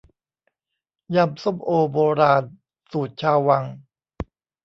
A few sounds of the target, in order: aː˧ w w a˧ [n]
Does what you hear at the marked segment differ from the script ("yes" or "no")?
yes